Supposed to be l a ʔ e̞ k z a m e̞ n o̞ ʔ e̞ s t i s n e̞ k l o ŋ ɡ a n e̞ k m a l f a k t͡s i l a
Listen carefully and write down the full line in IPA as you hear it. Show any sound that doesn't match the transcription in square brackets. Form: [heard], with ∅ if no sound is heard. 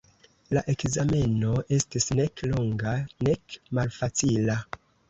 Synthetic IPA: l a ʔ e̞ k z a m e̞ n o̞ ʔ e̞ s t i s n e̞ k l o ŋ ɡ a n e̞ k m a l f a [∅] t͡s i l a